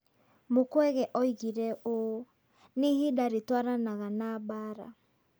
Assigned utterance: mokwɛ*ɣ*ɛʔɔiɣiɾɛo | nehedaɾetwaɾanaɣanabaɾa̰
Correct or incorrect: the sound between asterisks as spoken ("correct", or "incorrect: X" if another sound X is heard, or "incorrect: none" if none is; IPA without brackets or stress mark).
correct